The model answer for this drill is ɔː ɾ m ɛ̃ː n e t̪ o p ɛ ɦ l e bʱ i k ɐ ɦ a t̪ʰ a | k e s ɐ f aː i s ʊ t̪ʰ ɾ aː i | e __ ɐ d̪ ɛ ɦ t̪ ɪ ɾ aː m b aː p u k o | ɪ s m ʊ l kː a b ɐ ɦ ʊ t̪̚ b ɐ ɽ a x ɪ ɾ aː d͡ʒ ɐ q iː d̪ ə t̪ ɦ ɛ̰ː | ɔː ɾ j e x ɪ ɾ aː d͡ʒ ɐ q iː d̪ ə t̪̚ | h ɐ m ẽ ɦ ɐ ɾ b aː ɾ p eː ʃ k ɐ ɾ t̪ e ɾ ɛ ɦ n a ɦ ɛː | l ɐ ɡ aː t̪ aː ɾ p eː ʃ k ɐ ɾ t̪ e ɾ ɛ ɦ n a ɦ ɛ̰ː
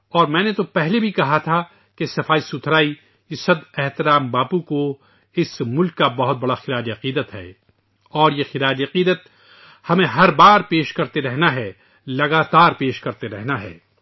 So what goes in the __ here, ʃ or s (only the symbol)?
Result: s